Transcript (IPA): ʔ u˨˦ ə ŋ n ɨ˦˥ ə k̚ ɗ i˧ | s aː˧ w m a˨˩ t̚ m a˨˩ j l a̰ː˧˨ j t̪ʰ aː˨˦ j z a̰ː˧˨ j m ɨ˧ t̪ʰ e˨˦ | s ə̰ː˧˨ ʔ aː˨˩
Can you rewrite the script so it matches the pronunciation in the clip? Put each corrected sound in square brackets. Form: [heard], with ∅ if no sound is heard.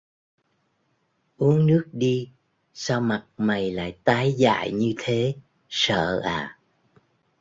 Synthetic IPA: ʔ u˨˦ ə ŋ n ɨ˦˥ ə k̚ ɗ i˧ | s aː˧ w m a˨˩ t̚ m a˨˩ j l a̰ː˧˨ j [t̪] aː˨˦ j z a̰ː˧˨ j [ɲ] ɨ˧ t̪ʰ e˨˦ | s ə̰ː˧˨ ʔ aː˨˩